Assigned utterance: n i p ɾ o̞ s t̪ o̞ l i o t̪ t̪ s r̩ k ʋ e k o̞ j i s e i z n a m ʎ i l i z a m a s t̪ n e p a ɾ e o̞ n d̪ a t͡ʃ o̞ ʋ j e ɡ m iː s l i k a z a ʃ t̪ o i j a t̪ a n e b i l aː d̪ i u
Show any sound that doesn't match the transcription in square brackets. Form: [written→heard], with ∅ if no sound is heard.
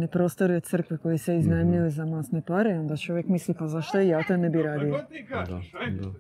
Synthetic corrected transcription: n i p ɾ o̞ s t̪ o̞ [l→ɾ] i o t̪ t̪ s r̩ k ʋ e k o̞ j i s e i z n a m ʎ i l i z a m a s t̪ n e p a ɾ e o̞ n d̪ a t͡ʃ o̞ ʋ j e [ɡ→k] m [iː→i] s l i [k→p] a z a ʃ t̪ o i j a t̪ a n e b i [l→ɾ] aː d̪ i [u→o]